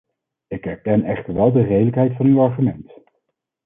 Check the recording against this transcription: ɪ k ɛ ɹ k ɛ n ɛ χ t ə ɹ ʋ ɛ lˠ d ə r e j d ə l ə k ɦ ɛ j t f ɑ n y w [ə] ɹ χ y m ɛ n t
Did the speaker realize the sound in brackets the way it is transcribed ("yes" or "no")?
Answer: no